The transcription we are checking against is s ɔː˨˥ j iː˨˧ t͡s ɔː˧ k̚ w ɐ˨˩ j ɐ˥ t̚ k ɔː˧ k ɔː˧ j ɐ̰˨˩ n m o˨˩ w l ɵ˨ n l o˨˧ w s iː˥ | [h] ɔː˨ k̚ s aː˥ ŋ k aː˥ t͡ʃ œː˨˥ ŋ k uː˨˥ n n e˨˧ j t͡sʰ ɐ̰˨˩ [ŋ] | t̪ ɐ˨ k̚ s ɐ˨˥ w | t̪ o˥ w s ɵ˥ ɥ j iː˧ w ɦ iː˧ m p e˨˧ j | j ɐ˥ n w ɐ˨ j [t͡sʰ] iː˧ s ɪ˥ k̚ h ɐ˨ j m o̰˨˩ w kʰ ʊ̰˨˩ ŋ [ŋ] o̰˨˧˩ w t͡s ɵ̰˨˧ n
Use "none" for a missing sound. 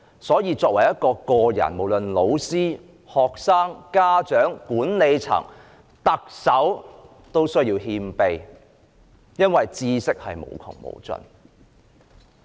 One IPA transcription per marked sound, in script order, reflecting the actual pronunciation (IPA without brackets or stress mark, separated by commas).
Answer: h, ŋ, t͡s, m